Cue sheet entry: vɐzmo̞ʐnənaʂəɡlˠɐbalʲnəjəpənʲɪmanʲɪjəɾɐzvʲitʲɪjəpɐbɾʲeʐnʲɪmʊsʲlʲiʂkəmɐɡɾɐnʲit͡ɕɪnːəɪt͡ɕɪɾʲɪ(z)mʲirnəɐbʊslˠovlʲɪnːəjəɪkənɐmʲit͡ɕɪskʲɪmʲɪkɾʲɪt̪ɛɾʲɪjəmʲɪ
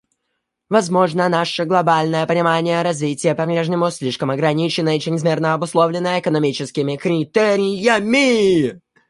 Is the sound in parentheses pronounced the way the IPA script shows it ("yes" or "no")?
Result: yes